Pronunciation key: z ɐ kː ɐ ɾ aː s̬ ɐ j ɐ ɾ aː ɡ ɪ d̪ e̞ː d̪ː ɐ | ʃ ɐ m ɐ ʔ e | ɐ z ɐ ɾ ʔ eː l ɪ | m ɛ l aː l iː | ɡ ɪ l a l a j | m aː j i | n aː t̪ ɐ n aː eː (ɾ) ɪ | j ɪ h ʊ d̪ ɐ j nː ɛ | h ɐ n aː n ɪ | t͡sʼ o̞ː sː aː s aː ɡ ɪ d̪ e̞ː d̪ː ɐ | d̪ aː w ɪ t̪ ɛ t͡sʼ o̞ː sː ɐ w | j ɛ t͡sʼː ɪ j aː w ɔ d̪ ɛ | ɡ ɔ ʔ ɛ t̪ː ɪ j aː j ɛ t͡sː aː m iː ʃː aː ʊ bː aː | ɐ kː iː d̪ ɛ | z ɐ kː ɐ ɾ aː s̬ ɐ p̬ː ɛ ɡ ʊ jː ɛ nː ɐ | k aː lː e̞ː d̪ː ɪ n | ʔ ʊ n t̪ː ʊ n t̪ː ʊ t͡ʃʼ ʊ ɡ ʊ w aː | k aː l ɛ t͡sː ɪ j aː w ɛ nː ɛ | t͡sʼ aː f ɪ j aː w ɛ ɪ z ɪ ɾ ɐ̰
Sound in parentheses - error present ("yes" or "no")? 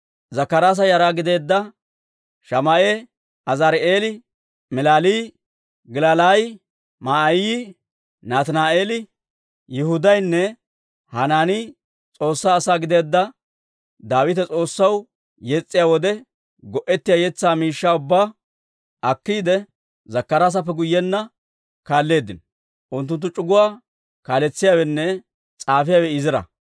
yes